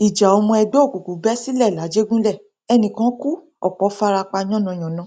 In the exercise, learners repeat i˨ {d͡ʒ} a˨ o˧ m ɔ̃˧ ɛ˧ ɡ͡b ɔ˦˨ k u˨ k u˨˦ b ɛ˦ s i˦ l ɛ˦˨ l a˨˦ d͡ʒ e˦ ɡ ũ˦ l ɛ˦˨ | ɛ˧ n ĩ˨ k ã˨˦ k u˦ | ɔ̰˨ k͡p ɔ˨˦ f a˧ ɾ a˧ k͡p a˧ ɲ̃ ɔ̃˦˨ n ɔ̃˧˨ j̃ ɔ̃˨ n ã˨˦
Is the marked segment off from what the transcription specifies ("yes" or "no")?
no